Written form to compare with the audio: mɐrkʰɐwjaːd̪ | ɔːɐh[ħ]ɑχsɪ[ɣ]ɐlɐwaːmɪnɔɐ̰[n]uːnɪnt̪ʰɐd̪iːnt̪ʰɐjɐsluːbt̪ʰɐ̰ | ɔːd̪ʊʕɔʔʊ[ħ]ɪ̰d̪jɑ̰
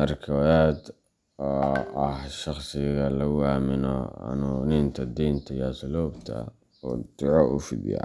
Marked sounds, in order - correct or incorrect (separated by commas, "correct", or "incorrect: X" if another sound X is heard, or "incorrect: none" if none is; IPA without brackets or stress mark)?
incorrect: ʃ, correct, correct, incorrect: f